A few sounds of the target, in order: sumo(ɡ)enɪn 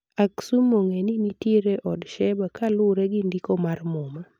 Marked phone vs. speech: incorrect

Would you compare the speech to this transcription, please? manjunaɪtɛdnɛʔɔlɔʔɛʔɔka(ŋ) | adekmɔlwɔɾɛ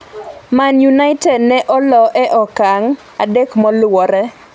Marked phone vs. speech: correct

